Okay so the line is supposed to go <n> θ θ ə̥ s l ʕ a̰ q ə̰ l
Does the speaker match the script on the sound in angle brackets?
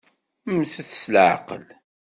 no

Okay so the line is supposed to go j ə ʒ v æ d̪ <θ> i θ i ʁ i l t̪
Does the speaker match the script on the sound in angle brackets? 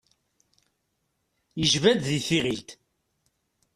no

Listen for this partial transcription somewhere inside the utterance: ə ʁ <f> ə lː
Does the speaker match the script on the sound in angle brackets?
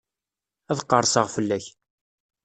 yes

